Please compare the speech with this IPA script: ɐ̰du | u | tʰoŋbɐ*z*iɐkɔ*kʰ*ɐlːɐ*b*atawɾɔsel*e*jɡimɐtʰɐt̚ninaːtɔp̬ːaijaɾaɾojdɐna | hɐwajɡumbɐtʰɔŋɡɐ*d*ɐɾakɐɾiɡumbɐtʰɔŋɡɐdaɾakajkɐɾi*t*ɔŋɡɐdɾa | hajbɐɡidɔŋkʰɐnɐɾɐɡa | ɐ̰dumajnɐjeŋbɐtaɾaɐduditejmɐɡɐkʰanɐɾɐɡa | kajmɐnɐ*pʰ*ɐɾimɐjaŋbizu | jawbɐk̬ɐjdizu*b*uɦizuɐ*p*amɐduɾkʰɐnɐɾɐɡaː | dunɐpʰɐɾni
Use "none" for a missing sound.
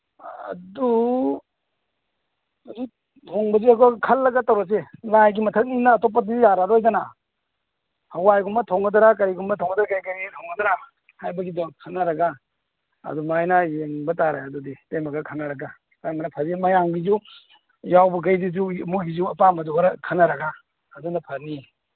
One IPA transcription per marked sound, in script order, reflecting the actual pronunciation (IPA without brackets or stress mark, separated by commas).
z, kʰ, ɡ, a, d, tʰ, pʰ, m, p